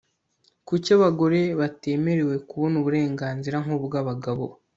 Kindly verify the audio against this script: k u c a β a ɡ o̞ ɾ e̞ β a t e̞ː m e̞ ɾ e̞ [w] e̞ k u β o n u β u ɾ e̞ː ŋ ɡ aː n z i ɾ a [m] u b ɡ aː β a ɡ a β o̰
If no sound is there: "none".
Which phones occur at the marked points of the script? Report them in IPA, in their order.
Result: w, ŋ

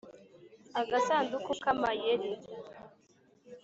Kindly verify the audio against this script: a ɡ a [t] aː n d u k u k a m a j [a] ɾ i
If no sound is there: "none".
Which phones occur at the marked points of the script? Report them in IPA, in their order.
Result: s, e

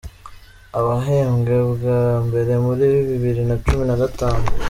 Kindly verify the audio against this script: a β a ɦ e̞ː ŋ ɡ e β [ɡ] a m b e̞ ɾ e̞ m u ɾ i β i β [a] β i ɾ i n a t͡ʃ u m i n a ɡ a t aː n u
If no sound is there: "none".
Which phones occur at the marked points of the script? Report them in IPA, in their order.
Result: ɡ, i

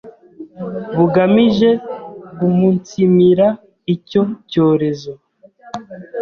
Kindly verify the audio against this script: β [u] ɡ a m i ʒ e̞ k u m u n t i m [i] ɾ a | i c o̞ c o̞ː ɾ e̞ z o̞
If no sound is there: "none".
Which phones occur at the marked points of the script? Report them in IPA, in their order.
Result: u, i

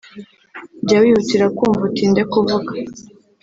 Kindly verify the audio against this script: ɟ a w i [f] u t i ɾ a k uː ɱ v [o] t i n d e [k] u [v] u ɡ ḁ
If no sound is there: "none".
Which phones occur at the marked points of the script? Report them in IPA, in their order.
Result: h, u, k, v

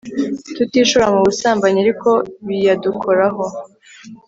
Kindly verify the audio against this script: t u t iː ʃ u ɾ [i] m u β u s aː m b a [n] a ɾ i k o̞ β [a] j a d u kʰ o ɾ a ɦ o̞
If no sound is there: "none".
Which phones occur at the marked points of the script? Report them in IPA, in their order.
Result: a, ɲ, i

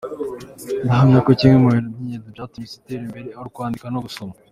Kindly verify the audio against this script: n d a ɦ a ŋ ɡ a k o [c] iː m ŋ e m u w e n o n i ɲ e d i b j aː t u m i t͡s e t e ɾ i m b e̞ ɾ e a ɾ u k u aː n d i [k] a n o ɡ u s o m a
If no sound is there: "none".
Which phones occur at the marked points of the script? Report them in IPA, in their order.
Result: c, k

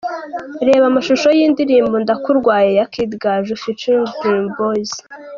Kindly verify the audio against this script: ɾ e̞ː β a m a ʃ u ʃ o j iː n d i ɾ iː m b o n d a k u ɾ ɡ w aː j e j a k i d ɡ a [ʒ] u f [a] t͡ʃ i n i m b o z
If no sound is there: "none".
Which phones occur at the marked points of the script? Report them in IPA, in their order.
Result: ʒ, i

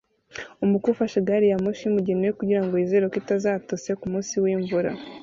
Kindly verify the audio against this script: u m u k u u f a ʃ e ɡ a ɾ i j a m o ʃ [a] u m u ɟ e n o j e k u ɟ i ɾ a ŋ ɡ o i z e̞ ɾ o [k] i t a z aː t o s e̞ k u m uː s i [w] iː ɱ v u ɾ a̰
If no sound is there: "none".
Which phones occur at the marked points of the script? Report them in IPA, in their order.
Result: i, k, w

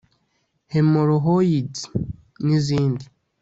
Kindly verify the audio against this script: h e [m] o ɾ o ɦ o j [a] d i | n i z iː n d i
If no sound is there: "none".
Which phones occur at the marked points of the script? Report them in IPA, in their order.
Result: m, i

